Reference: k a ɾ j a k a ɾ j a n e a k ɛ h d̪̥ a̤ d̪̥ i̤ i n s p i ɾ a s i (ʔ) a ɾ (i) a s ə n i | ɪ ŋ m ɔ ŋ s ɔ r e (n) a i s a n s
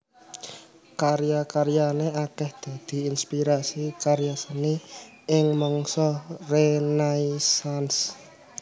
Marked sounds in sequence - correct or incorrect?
incorrect: k, incorrect: j, correct

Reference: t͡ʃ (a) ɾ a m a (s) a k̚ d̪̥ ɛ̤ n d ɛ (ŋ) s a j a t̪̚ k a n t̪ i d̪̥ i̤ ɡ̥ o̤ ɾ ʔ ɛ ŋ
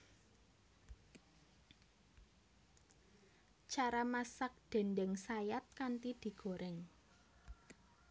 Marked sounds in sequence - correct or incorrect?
correct, correct, correct

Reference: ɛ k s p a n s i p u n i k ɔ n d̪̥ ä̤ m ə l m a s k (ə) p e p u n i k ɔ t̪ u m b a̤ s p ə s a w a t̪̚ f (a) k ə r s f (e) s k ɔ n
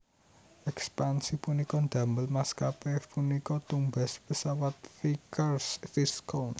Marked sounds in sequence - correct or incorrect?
incorrect: a, incorrect: i, incorrect: i

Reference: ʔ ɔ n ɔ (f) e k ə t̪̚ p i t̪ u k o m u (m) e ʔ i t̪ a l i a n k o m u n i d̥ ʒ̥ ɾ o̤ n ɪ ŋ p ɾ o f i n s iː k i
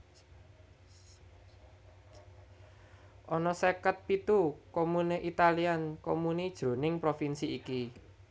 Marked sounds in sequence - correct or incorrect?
incorrect: s, incorrect: n

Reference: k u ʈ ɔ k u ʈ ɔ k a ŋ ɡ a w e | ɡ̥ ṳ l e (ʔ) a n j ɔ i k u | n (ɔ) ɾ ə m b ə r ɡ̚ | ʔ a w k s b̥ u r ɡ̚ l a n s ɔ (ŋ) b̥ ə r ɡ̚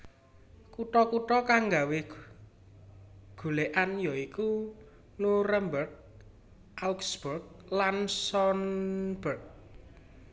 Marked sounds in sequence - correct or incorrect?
correct, incorrect: u, incorrect: n

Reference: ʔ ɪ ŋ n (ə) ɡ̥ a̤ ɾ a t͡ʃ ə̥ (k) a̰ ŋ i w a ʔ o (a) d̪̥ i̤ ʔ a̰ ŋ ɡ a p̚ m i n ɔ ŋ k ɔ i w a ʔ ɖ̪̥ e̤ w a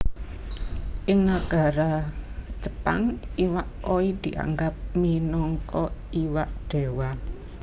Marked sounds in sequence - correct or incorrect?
incorrect: a, incorrect: p, incorrect: i

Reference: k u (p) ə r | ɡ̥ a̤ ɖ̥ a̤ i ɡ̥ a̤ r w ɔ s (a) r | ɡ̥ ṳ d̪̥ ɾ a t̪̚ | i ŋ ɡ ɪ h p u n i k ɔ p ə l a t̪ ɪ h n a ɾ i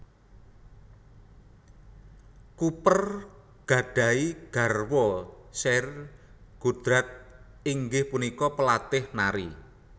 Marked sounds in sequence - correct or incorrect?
correct, incorrect: ɛ

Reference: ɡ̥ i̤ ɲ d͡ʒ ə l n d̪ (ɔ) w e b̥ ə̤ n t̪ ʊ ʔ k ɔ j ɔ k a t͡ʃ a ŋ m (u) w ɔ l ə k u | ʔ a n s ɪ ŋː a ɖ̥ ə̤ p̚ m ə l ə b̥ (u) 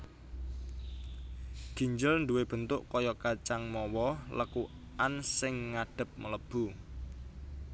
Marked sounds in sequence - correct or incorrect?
incorrect: u, incorrect: ɔ, correct

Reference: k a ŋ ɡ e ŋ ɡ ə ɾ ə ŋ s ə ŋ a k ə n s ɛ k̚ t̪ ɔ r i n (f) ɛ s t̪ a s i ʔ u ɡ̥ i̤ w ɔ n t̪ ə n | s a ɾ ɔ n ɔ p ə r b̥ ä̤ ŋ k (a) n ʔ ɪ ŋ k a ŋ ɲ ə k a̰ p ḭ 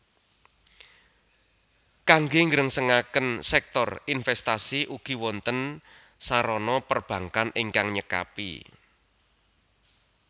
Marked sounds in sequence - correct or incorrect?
correct, correct

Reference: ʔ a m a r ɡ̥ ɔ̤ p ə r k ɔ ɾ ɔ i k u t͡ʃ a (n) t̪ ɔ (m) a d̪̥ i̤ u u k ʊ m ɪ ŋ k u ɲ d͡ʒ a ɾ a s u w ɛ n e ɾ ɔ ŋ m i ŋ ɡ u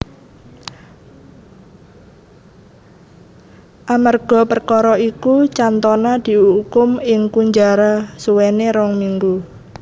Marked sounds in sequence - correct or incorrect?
correct, incorrect: n

